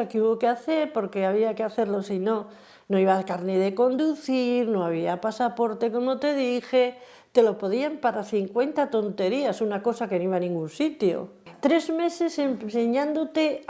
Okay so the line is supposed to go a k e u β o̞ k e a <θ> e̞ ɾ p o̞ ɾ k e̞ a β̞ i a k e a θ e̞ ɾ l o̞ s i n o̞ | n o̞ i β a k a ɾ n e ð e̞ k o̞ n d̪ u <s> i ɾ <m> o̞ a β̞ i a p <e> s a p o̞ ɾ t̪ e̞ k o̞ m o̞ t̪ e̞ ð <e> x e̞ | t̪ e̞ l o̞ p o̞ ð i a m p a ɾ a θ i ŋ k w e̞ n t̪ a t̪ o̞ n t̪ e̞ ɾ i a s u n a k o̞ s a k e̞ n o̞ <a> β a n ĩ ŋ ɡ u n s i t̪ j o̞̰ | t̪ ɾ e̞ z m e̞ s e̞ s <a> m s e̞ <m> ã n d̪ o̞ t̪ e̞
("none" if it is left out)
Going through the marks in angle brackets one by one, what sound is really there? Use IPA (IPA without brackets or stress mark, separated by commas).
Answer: θ, θ, n, a, i, i, e, ɲ